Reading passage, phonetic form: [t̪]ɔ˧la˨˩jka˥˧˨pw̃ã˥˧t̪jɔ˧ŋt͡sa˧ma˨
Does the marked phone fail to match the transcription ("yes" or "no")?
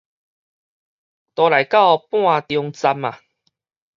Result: no